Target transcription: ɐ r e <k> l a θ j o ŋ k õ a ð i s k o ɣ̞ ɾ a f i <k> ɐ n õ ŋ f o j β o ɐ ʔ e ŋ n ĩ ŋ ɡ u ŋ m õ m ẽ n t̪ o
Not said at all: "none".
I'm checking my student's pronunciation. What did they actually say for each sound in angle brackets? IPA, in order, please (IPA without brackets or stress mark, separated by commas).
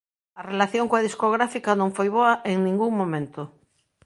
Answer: none, k